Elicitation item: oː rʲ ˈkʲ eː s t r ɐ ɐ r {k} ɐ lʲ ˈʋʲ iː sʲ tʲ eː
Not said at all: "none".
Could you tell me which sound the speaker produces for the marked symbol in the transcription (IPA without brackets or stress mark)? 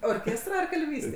k